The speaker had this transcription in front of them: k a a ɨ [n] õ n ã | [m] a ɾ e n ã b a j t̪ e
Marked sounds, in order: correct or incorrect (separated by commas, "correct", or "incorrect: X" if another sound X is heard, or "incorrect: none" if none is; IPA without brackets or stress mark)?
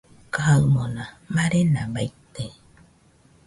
incorrect: m, correct